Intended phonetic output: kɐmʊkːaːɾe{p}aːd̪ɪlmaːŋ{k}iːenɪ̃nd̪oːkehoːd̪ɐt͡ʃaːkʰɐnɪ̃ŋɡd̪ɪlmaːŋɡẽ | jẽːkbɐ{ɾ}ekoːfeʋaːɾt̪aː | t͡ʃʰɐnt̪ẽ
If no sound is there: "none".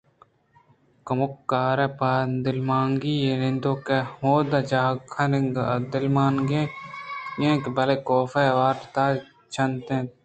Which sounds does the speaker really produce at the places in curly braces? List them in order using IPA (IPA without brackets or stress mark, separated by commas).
p, ɡ, l